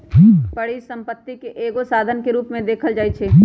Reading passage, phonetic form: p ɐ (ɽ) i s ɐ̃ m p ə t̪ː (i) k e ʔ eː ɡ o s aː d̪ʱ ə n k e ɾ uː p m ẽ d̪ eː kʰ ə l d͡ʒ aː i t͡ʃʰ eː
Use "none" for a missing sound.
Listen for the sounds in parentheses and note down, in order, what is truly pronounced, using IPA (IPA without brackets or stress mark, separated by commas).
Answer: ɽ, i